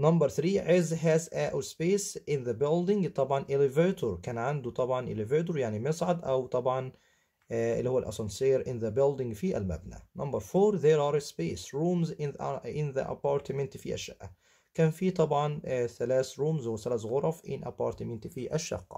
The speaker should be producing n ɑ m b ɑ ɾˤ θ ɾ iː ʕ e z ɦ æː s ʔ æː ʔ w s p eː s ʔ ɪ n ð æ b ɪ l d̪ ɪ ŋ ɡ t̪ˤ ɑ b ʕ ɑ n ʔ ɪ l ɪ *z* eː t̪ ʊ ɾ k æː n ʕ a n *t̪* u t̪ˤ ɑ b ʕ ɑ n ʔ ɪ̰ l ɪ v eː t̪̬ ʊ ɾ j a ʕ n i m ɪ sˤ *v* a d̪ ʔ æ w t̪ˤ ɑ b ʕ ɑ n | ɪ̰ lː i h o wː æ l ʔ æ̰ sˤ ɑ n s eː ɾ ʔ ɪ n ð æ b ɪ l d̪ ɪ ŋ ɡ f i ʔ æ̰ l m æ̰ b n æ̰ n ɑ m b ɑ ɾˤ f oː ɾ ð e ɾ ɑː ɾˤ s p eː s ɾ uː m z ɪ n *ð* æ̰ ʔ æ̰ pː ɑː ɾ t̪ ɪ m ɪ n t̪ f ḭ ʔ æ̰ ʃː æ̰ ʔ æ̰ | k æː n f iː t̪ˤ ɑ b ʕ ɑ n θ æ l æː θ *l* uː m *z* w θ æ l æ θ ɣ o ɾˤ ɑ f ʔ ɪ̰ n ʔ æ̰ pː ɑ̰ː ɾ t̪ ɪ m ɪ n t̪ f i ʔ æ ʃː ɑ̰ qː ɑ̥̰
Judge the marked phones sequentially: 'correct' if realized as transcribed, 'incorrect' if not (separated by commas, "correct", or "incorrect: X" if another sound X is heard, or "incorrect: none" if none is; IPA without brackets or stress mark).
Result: incorrect: v, incorrect: d̪, incorrect: ʕ, correct, incorrect: ɾ, correct